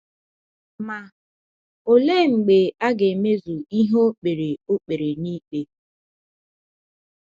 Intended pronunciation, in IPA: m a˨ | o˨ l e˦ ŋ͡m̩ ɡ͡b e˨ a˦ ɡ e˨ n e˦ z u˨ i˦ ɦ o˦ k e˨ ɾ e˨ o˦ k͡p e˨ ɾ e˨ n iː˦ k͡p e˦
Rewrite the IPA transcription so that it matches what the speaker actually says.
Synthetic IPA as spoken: m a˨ | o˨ l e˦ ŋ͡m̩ ɡ͡b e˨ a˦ ɡ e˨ m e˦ z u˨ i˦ ɦ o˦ k͡p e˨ ɾ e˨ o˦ k͡p e˨ ɾ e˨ n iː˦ k͡p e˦